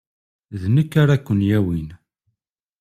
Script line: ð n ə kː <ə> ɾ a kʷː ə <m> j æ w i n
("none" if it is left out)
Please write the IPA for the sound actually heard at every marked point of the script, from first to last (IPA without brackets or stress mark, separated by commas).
a, n